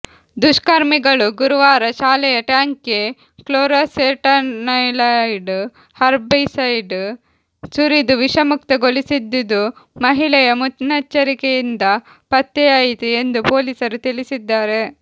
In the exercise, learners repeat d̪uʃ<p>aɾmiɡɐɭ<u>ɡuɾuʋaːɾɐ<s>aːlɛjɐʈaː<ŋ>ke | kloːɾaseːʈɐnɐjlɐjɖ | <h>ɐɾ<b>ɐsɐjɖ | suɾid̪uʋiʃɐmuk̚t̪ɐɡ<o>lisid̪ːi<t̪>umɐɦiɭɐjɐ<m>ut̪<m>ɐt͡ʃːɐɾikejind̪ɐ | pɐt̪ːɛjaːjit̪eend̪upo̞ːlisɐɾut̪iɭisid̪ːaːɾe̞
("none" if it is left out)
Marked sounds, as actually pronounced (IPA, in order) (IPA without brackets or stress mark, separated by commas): k, u, ʃ, ŋ, h, b, o, d̪, m, n